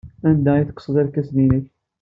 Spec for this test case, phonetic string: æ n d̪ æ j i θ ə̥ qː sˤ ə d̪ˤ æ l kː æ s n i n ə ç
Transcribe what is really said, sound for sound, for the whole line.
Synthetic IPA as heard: æ n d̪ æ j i θ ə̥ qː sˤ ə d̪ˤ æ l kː æ s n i n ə ç